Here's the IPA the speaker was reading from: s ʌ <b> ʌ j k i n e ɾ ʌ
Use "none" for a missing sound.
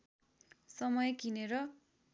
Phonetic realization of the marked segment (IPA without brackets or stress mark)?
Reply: m